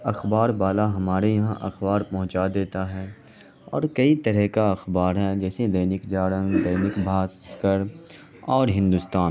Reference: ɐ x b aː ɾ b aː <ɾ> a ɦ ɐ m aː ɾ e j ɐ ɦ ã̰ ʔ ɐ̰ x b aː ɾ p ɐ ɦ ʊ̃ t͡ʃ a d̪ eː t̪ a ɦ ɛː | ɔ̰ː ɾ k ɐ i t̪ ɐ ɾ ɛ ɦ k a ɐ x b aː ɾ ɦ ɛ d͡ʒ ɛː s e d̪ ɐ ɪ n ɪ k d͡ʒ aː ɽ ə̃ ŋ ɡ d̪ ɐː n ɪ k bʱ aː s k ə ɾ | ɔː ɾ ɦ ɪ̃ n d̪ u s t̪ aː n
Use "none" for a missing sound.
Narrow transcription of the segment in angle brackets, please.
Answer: l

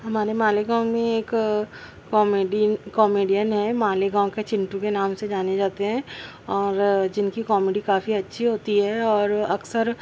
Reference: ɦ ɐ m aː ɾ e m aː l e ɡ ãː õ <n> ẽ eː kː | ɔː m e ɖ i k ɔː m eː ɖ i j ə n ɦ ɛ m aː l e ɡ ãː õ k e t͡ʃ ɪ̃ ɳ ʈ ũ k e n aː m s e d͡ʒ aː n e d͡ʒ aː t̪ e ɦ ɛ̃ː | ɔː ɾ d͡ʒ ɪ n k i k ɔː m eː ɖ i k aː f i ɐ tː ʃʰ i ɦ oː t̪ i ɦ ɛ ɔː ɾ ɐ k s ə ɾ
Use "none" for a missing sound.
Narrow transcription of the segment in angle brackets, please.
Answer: m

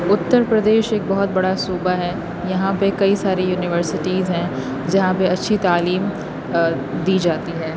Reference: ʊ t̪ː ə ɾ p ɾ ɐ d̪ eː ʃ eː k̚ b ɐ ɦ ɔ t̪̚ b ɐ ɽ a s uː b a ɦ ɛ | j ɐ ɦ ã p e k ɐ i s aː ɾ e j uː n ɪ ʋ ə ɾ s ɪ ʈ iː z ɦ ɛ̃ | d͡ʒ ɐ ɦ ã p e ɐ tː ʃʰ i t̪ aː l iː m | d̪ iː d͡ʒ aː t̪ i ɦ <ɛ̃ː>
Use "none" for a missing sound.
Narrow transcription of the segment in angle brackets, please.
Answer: ɛː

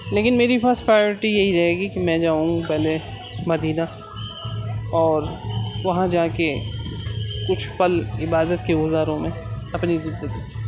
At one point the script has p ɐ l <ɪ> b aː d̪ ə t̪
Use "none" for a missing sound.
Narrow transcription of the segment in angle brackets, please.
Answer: ɪ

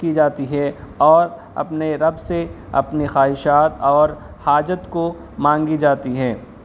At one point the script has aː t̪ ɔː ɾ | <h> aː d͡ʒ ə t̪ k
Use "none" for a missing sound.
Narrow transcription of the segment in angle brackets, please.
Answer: h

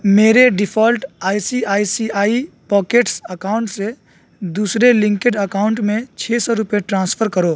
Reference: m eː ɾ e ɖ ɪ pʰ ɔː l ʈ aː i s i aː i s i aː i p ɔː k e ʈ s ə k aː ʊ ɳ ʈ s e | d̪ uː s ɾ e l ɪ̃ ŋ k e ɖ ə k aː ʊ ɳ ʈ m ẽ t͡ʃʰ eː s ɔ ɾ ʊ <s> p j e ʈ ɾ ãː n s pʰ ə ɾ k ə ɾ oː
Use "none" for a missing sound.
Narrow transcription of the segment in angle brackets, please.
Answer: none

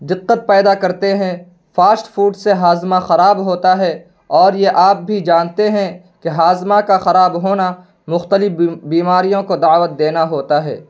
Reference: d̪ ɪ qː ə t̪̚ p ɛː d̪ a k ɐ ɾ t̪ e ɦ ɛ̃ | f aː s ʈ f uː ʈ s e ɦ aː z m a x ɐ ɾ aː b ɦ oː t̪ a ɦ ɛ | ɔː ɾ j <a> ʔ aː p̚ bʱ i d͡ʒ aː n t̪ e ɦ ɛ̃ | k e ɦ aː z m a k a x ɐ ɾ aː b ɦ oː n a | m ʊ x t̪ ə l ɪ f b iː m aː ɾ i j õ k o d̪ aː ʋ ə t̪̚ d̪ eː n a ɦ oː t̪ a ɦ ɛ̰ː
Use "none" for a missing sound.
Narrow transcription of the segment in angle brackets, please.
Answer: e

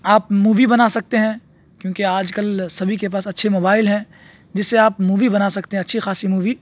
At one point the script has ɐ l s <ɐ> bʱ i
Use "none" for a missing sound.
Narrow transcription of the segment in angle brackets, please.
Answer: ɐ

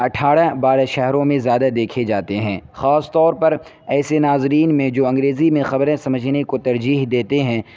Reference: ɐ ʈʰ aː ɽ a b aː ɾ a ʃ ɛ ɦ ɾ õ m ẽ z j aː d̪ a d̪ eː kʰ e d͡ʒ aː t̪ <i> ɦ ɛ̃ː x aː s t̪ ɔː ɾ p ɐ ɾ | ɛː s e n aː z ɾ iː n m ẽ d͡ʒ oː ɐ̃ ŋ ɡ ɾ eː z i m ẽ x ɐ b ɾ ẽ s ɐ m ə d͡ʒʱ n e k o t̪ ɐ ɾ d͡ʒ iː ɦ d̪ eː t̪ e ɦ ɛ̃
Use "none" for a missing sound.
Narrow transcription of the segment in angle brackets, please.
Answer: e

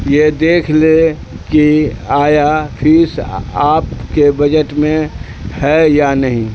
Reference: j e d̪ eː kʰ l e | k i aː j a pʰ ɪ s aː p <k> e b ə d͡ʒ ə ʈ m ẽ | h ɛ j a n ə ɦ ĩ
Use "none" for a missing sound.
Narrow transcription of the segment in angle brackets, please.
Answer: k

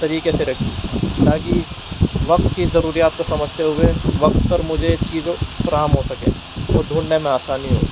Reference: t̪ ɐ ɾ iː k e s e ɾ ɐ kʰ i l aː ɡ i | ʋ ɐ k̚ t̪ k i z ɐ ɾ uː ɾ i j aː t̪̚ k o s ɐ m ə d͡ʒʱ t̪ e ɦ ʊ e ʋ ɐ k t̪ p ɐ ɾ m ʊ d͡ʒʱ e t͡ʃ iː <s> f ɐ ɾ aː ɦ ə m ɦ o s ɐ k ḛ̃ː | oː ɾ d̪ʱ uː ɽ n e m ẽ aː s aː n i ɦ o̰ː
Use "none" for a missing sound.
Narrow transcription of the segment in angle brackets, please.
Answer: z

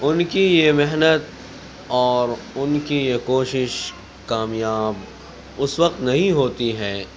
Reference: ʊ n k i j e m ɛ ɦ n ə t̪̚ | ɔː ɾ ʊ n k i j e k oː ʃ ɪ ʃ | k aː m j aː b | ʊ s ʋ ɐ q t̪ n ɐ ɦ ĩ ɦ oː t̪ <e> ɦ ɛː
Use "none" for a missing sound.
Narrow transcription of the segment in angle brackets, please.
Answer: i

